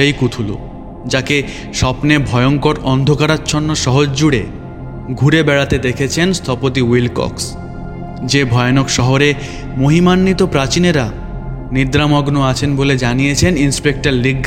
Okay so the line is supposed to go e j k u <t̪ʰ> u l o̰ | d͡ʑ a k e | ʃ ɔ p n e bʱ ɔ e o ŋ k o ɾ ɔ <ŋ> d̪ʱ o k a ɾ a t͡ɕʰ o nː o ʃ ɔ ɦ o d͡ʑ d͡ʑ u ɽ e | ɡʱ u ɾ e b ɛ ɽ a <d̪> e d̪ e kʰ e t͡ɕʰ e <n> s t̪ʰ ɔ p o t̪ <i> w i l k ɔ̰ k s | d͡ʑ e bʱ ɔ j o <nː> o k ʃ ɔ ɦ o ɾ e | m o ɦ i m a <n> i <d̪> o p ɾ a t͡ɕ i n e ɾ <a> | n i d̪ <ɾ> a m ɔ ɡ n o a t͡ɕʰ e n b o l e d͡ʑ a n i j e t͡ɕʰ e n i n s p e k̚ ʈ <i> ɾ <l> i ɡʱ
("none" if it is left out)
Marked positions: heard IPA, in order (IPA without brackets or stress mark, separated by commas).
t̪ʰ, n, t̪, n, i, n, nː, t̪, a, ɾ, a, l